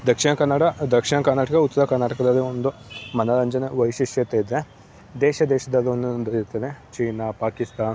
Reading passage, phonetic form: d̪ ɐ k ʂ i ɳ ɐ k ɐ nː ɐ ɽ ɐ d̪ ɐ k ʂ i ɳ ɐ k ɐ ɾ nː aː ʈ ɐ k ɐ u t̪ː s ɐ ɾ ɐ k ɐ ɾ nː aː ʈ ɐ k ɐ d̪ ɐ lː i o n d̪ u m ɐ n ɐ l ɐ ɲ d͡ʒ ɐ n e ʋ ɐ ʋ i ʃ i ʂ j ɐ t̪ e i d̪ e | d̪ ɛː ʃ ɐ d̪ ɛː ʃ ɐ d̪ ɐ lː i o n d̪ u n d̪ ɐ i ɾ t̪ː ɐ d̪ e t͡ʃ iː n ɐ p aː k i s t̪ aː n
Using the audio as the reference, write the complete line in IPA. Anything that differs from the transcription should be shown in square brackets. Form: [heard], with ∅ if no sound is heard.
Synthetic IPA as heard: d̪ ɐ k ʂ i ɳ ɐ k ɐ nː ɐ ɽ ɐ d̪ ɐ k ʂ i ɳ ɐ k ɐ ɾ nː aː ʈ ɐ k ɐ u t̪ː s ɐ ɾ ɐ k ɐ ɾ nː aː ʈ ɐ k ɐ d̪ ɐ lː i o n d̪ u m ɐ n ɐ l ɐ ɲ d͡ʒ ɐ n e ʋ ɐ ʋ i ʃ i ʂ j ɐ t̪ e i d̪ e | d̪ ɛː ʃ ɐ d̪ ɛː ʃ ɐ d̪ ɐ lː i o n d̪ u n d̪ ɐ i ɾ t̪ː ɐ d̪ e t͡ʃ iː n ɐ p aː k i s t̪ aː n